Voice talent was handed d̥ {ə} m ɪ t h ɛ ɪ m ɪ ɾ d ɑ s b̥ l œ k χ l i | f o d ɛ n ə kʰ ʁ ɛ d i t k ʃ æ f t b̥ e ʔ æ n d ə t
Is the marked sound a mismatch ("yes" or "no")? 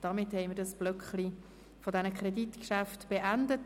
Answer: yes